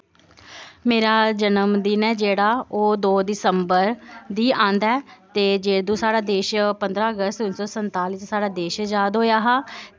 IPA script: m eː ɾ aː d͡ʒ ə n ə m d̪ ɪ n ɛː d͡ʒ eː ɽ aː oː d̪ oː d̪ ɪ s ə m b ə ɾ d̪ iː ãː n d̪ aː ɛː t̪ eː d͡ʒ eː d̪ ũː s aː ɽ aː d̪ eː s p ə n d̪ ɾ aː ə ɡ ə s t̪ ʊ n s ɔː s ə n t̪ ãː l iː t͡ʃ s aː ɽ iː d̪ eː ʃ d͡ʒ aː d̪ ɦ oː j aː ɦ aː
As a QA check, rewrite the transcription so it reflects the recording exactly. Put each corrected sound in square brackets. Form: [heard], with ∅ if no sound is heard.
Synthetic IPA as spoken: m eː ɾ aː d͡ʒ ə n ə m d̪ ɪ n ɛː d͡ʒ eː ɽ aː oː d̪ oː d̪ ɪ s ə m b ə ɾ d̪ iː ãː n d̪ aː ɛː t̪ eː d͡ʒ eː d̪ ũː s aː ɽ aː d̪ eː [ʃ] p ə n d̪ ɾ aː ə ɡ ə s t̪ ʊ n s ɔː s ə n t̪ [aː] l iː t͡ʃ s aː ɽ [aː] d̪ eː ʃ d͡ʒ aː d̪ ɦ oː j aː ɦ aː